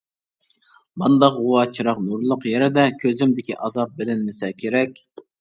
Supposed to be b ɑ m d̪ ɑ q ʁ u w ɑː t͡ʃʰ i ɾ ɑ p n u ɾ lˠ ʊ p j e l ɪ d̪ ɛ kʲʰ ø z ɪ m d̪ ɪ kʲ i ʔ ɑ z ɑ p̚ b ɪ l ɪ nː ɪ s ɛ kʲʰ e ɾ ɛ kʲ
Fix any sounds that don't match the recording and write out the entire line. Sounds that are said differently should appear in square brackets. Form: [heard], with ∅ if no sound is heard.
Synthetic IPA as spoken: b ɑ [n] d̪ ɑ q ʁ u w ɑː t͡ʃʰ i ɾ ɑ [q] n u ɾ lˠ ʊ [q] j e [ɾ] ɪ d̪ ɛ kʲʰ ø z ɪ m d̪ ɪ kʲ i ʔ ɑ z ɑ p̚ b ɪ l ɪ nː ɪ s ɛ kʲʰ e ɾ ɛ kʲ